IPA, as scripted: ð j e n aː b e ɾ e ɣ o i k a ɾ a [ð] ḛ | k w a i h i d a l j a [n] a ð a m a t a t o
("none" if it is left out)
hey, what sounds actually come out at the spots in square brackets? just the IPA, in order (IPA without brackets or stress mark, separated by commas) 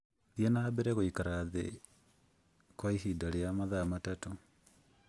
ð, m